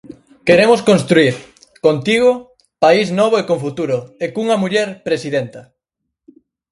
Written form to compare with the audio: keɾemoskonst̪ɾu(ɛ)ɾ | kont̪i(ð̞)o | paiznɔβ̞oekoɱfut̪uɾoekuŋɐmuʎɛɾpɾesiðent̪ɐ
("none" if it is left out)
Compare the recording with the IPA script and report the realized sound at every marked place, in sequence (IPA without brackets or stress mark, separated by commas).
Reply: i, ɣ̞